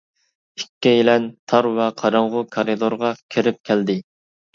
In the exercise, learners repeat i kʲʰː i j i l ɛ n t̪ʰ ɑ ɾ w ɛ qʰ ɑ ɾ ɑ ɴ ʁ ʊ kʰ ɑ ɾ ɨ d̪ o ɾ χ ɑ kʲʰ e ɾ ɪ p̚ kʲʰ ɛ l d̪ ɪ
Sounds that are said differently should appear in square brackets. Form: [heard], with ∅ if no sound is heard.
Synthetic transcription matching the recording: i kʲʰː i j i l ɛ n t̪ʰ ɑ ɾ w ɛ qʰ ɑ ɾ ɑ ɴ ʁ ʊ kʰ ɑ ɾ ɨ d̪ o ɾ [ʁ] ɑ kʲʰ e ɾ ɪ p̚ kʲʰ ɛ l d̪ ɪ